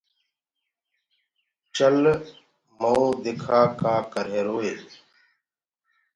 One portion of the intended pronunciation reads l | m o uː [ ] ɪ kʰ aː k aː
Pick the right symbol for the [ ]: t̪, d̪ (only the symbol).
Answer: d̪